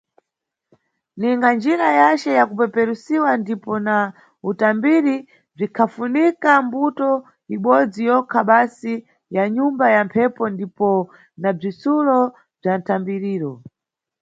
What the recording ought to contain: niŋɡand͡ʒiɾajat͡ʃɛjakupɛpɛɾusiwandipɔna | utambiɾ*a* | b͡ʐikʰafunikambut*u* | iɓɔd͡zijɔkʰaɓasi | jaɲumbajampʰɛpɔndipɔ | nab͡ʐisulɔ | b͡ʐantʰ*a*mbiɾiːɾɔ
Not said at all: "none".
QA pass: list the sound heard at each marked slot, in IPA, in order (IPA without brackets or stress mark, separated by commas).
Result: i, ɔ, a